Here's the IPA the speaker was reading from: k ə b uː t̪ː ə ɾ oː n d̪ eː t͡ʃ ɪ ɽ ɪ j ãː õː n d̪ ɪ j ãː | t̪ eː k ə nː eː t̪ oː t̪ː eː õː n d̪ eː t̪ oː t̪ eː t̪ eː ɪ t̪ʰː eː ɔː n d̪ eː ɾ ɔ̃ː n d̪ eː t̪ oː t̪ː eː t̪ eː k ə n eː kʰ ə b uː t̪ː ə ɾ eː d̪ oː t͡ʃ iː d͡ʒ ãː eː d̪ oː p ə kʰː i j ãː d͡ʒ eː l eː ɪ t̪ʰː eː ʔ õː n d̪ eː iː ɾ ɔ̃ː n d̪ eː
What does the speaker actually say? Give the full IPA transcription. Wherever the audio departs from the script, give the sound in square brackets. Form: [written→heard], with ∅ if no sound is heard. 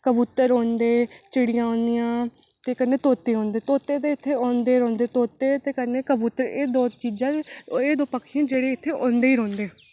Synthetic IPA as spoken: k ə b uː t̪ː ə ɾ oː n d̪ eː t͡ʃ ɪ ɽ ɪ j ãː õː n d̪ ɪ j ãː | t̪ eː k ə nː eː t̪ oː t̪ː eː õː n d̪ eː t̪ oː t̪ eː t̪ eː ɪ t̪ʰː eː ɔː n d̪ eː ɾ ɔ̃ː n d̪ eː t̪ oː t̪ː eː t̪ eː k ə n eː [kʰ→k] ə b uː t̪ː ə ɾ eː d̪ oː t͡ʃ iː d͡ʒ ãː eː d̪ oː p ə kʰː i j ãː d͡ʒ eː [l→ɽ] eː ɪ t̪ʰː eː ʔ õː n d̪ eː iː ɾ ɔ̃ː n d̪ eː